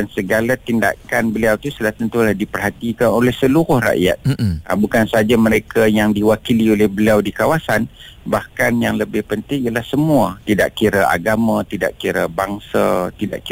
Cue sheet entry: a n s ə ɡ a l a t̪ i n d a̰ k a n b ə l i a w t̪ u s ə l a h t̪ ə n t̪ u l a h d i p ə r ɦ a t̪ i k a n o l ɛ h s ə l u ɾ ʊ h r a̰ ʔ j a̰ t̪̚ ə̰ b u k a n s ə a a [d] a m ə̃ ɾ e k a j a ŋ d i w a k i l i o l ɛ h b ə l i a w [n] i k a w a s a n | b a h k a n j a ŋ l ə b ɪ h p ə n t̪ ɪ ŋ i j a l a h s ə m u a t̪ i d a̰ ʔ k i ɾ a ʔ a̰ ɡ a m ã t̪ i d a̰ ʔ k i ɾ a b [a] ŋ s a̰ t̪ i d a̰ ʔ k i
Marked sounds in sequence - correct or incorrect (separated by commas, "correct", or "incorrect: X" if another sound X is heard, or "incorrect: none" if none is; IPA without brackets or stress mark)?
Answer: incorrect: d͡ʒ, incorrect: d, correct